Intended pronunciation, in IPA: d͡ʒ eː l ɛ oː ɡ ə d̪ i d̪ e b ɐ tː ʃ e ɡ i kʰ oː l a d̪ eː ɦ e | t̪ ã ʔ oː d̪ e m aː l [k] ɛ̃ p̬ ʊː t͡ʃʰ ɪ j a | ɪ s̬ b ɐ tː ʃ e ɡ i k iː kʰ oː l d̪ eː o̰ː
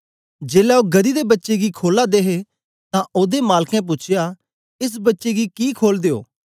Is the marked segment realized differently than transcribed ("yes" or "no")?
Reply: no